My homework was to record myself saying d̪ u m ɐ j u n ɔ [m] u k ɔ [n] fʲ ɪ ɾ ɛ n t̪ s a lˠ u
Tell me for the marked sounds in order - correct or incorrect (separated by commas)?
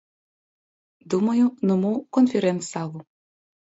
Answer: correct, correct